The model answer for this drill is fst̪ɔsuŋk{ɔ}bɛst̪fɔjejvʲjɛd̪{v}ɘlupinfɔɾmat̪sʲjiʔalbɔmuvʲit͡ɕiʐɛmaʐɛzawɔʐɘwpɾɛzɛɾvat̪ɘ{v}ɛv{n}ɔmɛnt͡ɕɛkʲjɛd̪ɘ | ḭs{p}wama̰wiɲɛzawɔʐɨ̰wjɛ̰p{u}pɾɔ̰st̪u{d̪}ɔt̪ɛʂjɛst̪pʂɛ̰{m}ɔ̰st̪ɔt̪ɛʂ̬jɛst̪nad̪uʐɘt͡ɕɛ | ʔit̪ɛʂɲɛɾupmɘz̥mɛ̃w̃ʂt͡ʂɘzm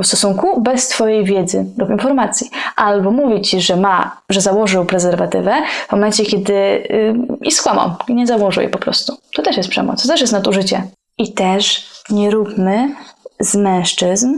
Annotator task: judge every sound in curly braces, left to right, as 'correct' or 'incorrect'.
incorrect: u, incorrect: z, correct, incorrect: m, incorrect: k, incorrect: ɔ, incorrect: t̪, correct

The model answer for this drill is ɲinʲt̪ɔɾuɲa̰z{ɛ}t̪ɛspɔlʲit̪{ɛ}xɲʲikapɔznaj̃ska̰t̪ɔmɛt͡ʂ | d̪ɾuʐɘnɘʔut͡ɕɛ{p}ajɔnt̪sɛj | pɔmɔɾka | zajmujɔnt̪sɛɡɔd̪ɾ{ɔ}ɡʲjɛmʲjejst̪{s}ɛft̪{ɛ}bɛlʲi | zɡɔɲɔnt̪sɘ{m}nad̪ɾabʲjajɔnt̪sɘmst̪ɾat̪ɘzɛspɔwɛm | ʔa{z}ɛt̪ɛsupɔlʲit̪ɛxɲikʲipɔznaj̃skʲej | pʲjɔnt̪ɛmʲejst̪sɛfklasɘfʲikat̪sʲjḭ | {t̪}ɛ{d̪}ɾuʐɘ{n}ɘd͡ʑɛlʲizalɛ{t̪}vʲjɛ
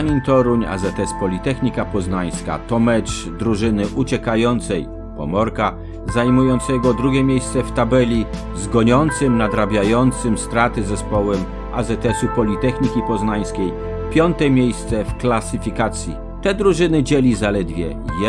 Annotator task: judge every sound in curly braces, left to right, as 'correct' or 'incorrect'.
correct, correct, incorrect: k, incorrect: u, correct, incorrect: a, correct, correct, correct, correct, correct, incorrect: d̪

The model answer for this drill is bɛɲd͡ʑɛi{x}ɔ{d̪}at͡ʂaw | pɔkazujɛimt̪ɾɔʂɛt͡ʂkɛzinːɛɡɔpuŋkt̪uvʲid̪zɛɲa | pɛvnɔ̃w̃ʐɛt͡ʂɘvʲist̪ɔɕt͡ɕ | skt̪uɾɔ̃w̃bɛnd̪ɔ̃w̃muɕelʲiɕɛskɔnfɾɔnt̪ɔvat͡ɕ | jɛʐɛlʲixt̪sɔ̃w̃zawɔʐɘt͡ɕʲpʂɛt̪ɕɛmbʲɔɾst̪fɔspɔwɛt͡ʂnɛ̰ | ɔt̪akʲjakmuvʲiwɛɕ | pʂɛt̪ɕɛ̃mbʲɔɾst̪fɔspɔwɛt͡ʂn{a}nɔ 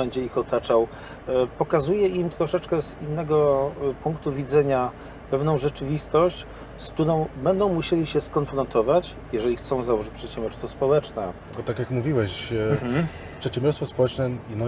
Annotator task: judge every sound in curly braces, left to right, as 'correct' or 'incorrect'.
correct, incorrect: t̪, incorrect: ɛ

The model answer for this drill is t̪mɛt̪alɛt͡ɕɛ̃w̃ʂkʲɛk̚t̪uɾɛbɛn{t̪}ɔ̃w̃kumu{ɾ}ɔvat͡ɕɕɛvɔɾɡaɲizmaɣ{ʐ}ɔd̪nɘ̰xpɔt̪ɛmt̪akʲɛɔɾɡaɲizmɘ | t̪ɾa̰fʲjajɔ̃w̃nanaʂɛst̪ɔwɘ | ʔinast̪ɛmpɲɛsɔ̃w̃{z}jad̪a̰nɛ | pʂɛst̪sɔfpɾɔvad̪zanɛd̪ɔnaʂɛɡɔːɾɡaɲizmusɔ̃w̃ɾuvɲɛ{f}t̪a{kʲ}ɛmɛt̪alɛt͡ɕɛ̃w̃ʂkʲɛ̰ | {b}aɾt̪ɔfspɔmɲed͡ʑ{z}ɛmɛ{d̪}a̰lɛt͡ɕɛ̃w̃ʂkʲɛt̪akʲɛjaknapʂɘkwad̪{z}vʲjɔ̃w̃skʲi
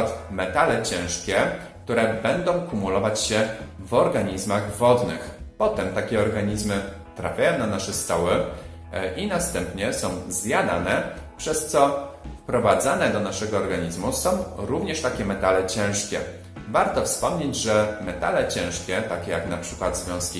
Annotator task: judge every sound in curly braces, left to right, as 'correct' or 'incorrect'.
incorrect: d̪, incorrect: l, incorrect: v, correct, incorrect: ʂ, correct, incorrect: v, incorrect: ʐ, incorrect: t̪, correct

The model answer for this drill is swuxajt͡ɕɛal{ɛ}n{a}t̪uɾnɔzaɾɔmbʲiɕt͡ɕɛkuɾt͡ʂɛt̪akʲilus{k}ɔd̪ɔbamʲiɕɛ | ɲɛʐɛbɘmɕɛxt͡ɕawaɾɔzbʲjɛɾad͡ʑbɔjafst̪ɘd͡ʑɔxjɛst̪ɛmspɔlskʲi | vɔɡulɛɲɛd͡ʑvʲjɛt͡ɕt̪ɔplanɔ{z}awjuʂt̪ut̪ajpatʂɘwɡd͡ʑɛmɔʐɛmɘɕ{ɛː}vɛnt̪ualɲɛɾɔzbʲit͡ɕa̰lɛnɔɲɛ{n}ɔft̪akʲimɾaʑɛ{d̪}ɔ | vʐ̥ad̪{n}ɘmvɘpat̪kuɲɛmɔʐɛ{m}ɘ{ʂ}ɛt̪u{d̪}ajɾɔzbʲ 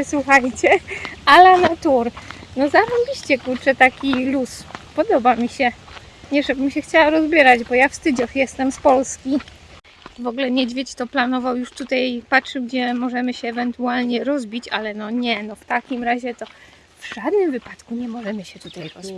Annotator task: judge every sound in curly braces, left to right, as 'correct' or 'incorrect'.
incorrect: a, correct, incorrect: p, incorrect: v, correct, correct, incorrect: t̪, correct, correct, incorrect: ɕ, incorrect: t̪

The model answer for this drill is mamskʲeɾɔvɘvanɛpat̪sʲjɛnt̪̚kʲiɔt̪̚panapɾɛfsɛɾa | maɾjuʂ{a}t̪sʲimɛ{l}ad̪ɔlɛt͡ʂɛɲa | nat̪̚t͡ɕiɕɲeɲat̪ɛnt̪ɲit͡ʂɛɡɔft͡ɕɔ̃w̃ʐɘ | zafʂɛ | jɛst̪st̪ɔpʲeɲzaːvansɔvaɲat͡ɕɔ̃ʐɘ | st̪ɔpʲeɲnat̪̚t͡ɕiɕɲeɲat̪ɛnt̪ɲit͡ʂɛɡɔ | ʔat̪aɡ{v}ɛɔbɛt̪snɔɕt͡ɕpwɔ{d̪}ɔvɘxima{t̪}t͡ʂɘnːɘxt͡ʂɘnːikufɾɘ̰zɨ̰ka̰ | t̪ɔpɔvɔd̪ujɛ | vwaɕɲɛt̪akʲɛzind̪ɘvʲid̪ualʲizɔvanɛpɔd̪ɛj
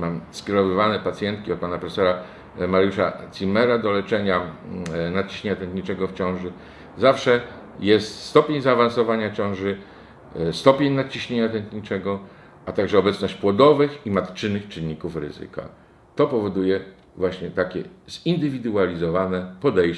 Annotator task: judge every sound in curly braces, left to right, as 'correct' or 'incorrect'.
correct, incorrect: ɾ, incorrect: ʐ, correct, correct

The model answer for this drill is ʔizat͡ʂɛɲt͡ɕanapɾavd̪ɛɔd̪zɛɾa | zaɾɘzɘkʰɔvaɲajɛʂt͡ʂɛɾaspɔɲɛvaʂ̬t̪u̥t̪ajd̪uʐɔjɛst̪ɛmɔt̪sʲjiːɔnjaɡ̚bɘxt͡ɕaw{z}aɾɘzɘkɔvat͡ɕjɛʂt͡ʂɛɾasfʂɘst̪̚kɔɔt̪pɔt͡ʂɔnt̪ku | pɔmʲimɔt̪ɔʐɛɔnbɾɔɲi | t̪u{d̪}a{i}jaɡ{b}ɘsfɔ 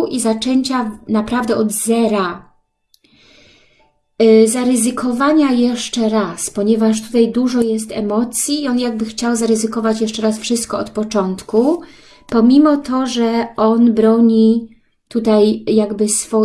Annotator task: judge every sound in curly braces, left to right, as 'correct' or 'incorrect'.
correct, incorrect: t̪, incorrect: j, correct

